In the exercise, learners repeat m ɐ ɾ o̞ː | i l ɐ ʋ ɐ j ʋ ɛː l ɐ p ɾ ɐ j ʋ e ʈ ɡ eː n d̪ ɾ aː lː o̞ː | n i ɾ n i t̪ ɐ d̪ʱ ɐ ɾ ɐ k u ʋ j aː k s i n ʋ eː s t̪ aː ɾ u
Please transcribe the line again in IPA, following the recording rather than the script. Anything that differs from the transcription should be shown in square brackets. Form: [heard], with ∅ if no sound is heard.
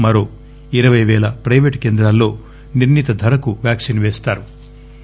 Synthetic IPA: m ɐ ɾ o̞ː | i [ɾ] ɐ ʋ ɐ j ʋ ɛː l ɐ p ɾ ɐ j ʋ e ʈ [k] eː n d̪ ɾ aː lː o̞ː | n i ɾ n i t̪ ɐ d̪ʱ ɐ ɾ ɐ k u ʋ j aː k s i n ʋ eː s t̪ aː ɾ u